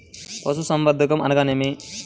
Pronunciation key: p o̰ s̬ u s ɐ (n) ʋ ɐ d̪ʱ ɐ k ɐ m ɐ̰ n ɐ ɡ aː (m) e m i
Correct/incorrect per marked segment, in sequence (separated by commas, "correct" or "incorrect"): incorrect, incorrect